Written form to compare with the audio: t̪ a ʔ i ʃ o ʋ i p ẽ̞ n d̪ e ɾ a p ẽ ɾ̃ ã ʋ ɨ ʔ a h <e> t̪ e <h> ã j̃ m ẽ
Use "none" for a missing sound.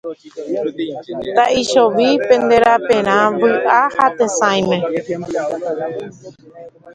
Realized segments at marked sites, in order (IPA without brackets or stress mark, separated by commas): a, s